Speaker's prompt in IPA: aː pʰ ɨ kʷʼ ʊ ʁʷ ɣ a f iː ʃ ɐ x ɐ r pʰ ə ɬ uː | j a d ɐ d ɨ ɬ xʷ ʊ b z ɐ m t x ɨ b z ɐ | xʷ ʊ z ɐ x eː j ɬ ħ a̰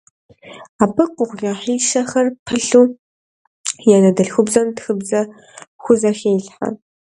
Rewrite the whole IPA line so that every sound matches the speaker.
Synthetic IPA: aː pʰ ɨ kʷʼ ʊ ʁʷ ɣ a ħ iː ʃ ɐ x ɐ r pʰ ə ɬ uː | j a n ɐ d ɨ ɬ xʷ ʊ b z ɐ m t x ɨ b z ɐ | xʷ ʊ z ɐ x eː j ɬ ħ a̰